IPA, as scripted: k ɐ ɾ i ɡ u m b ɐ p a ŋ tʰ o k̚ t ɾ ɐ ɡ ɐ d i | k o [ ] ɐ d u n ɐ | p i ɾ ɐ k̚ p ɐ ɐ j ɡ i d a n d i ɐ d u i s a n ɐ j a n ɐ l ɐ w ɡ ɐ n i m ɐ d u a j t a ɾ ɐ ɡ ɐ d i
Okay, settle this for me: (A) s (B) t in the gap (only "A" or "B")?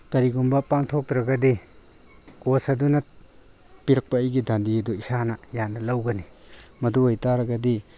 A